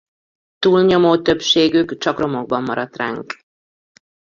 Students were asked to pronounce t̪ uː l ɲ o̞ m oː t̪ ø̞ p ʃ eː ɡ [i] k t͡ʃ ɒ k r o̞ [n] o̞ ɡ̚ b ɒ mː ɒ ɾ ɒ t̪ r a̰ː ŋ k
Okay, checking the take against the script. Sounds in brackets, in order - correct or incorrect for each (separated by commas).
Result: incorrect, incorrect